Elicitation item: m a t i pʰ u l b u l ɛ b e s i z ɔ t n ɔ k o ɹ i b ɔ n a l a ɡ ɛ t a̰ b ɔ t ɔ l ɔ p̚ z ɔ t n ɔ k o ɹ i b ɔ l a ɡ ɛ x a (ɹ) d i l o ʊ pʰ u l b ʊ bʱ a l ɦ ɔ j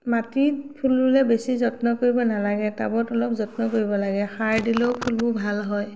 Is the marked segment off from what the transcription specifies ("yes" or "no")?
no